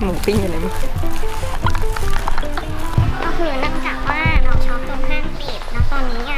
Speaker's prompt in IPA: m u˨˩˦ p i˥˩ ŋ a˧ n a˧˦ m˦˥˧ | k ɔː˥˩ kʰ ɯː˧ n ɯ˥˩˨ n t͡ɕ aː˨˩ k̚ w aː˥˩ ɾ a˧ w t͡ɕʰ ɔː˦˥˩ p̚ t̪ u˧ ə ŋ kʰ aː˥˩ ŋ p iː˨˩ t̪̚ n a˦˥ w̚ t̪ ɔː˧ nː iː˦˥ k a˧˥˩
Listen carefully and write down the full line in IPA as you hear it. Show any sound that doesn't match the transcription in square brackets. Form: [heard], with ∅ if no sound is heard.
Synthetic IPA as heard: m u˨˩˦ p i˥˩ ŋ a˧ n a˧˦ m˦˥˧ | k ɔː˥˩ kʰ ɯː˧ n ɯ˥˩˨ [ŋ] t͡ɕ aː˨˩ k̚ w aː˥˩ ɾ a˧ w t͡ɕʰ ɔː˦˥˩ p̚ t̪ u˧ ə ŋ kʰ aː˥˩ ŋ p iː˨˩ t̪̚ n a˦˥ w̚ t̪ ɔː˧ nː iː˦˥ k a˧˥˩